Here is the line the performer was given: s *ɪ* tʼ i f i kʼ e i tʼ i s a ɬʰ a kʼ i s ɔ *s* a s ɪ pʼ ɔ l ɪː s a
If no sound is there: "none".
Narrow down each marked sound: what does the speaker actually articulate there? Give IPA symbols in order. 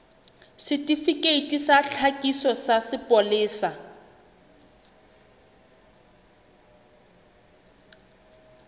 ɪ, s

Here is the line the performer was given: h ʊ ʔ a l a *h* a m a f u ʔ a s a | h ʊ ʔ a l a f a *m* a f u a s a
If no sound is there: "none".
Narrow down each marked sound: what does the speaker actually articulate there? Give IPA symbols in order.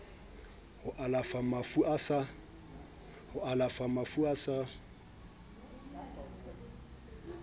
f, m

